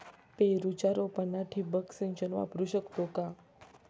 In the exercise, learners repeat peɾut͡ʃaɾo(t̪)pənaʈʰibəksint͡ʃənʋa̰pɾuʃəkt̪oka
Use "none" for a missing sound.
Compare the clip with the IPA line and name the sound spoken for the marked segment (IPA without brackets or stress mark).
none